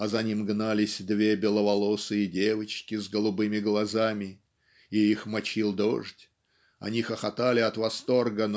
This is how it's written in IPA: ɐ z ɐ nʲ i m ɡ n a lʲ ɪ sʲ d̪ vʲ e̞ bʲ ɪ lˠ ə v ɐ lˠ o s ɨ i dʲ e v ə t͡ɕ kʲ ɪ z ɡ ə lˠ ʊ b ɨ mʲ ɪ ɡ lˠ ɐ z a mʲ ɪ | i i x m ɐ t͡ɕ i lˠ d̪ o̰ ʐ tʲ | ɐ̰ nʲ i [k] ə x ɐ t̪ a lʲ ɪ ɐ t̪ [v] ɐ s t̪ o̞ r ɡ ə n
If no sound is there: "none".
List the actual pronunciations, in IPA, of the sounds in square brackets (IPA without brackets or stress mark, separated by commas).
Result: x, v